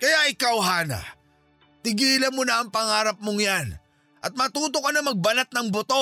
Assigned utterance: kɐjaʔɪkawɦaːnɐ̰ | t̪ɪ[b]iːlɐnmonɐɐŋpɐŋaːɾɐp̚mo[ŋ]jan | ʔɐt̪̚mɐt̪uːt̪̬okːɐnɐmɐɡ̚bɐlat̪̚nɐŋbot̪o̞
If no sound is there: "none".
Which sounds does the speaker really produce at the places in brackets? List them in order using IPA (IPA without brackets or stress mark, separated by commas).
ɡ, ŋ